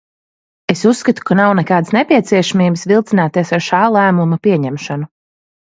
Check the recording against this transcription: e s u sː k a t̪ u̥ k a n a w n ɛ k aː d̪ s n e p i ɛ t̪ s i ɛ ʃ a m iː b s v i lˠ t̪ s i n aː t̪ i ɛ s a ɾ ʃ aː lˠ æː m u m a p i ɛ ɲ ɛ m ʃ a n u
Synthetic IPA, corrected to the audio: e s u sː k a t̪ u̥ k a n a w n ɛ k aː d̪ s n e p i ɛ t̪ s i ɛ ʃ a m iː b s v i lˠ t̪ s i n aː t̪ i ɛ s a ɾ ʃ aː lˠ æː m u m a p i ɛ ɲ ɛ m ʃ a n u